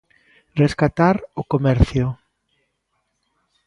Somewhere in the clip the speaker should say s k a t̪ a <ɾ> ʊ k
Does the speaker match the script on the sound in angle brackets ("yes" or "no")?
yes